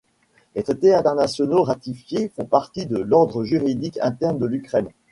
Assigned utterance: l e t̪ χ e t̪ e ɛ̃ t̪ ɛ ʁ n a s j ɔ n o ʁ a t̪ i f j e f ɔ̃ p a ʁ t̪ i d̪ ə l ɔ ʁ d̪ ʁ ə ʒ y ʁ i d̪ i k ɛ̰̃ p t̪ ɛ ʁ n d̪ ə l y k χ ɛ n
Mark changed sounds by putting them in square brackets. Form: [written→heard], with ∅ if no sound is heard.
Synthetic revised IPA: l e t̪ χ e t̪ e ɛ̃ t̪ ɛ ʁ n a s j ɔ n o ʁ a t̪ i f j e f ɔ̃ p a ʁ t̪ i d̪ ə l ɔ ʁ d̪ ʁ ə ʒ y ʁ i d̪ i k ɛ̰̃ [p→∅] t̪ ɛ ʁ n d̪ ə l y k χ ɛ n